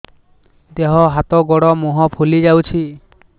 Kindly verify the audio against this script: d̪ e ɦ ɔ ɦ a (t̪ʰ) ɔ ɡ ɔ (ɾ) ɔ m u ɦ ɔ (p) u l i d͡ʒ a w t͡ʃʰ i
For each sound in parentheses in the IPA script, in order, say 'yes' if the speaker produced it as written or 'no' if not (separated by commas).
no, no, no